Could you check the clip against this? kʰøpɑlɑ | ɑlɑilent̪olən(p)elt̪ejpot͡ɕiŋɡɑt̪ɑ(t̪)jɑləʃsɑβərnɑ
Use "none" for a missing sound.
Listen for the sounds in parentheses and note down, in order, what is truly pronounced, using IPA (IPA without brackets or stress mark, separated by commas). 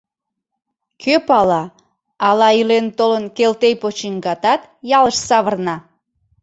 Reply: k, t̪